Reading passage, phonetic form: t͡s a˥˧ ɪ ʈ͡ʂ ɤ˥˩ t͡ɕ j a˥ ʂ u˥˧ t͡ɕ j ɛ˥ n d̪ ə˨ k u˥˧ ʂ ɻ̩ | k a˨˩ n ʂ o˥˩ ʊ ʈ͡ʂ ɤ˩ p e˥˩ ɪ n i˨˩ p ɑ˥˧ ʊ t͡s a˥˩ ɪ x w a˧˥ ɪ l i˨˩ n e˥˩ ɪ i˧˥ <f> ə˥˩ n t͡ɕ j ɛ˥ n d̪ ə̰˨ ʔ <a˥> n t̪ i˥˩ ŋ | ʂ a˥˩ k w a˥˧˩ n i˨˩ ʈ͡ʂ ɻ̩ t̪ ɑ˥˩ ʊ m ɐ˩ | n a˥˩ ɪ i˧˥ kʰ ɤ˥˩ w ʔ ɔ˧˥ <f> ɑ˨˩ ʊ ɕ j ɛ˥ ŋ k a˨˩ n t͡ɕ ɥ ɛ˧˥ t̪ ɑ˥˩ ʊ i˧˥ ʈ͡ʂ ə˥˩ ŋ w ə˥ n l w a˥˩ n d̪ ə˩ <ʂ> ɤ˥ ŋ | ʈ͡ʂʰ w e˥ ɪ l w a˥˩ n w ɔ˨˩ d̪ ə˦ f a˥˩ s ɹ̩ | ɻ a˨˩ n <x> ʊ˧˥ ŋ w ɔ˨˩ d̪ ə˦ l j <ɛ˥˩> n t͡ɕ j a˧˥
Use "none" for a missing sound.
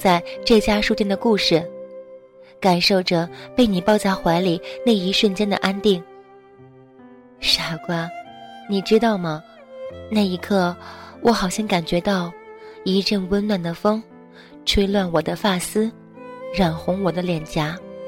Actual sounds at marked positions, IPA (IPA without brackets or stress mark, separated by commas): ʂ, a˥, x, f, x, ɛ˨˩